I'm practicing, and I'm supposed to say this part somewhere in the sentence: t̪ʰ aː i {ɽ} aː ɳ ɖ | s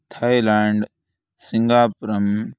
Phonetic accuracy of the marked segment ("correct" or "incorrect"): incorrect